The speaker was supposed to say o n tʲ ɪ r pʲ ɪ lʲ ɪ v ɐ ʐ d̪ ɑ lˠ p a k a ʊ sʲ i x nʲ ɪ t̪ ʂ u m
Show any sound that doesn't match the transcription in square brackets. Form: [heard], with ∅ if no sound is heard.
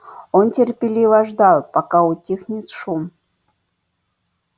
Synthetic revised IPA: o n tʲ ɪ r pʲ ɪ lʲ [i] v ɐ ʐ d̪ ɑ lˠ p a k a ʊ [tʲ] i x nʲ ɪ t̪ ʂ u m